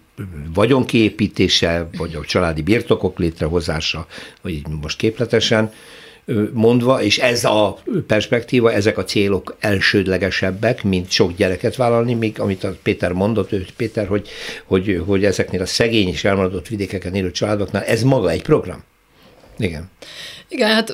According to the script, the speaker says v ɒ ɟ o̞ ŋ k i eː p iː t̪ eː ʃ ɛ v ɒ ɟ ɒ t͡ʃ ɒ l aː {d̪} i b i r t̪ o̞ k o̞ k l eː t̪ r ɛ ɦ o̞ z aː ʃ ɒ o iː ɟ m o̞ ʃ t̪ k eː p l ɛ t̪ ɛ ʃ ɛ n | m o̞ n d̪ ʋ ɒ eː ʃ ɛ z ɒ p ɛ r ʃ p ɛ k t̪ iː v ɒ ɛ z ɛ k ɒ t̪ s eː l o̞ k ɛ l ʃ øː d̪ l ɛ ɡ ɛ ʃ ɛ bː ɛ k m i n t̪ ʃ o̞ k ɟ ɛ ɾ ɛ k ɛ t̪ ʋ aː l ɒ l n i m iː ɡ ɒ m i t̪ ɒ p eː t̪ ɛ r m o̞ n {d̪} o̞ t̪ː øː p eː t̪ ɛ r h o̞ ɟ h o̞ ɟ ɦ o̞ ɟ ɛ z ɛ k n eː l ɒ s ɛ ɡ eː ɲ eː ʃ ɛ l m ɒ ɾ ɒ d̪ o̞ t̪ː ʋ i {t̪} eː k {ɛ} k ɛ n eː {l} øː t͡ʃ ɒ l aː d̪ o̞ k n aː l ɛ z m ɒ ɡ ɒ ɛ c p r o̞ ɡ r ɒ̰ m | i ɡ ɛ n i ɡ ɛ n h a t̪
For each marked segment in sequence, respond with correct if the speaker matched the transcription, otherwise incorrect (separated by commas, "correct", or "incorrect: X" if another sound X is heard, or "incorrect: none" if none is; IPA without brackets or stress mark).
correct, correct, incorrect: d̪, correct, correct